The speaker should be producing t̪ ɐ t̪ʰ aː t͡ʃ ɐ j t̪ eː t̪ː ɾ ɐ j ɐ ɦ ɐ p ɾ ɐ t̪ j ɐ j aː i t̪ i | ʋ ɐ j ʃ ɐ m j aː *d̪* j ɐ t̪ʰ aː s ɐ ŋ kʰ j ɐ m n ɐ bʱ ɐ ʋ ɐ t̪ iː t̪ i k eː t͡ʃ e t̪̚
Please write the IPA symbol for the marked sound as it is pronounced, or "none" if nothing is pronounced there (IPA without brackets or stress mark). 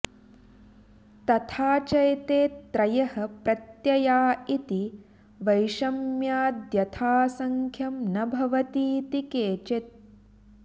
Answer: d̪